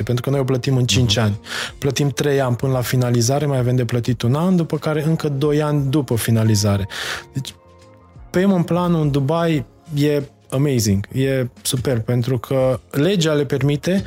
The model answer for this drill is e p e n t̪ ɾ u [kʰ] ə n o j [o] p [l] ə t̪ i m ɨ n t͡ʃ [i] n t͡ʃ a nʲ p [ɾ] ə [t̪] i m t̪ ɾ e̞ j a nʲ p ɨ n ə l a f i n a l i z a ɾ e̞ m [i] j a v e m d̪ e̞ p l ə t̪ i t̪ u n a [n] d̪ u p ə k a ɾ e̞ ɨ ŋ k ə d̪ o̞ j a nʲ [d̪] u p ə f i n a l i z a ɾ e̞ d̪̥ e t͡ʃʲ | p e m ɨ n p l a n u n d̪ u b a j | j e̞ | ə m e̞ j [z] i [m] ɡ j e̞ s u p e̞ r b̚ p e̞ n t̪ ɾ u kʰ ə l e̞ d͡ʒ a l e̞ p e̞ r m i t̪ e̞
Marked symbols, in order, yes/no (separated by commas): no, yes, yes, yes, no, yes, no, yes, yes, yes, no